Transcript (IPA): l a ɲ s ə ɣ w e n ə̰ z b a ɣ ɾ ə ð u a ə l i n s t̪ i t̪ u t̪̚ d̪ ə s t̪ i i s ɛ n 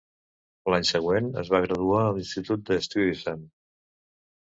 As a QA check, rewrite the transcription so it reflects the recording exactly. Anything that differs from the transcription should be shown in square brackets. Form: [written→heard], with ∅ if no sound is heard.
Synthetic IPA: l a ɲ s ə ɣ w e n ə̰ z [b→β] a ɣ ɾ ə ð u a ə l i n s t̪ i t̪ u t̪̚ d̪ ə s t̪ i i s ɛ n